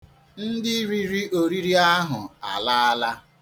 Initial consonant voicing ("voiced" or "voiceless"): voiced